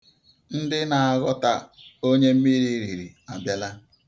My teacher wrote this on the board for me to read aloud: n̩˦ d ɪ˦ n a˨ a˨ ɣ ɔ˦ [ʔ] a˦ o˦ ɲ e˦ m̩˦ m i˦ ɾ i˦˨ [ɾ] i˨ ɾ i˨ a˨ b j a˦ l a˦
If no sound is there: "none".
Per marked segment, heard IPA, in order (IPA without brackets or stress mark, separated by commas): t, ɾ